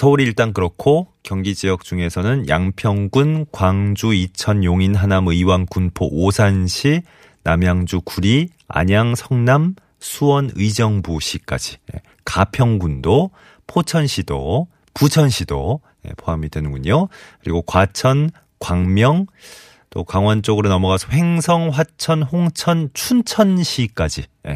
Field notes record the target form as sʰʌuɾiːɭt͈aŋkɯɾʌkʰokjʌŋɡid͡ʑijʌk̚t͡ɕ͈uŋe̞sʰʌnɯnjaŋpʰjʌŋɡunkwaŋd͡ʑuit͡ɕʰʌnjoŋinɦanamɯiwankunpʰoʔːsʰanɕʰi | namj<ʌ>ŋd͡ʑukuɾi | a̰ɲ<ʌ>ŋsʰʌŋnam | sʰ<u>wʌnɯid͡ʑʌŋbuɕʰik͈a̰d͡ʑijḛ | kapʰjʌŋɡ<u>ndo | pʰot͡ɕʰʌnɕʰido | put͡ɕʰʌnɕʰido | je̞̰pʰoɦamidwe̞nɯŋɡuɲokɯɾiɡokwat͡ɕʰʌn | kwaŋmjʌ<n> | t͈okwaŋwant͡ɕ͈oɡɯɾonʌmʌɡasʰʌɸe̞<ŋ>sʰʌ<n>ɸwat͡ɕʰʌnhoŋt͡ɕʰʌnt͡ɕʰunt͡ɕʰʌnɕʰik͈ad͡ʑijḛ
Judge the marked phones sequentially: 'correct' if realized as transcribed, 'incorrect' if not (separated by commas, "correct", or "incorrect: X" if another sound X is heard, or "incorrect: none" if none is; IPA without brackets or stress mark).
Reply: incorrect: a, incorrect: a, correct, correct, incorrect: ŋ, correct, incorrect: ŋ